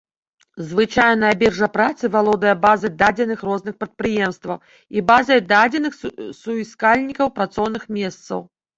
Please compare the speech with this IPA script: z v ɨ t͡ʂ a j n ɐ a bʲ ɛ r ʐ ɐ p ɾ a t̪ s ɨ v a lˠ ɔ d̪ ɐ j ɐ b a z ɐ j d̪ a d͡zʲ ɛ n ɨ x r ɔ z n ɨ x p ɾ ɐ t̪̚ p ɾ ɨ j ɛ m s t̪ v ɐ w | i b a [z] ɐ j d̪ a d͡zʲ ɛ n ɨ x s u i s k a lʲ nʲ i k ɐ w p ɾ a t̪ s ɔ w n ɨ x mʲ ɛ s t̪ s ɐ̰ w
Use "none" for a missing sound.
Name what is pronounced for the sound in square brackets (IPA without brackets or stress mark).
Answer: z